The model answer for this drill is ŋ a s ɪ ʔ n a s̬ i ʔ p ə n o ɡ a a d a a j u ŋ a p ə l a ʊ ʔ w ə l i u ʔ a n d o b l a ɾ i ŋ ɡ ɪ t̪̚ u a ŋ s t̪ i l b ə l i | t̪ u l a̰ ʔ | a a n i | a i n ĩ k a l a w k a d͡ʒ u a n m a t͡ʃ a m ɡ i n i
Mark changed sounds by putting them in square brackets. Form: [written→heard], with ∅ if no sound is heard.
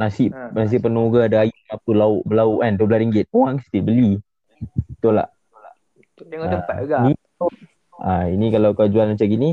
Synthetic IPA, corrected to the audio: [ŋ→n] a s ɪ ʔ n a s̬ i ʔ p ə n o ɡ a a d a a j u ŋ a p ə l a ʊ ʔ [w→b] ə l [i→a] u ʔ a n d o b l a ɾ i ŋ ɡ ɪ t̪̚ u a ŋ s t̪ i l b ə l i | t̪ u l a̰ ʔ | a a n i | a i n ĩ k a l a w k a d͡ʒ u a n m a t͡ʃ a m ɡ i n i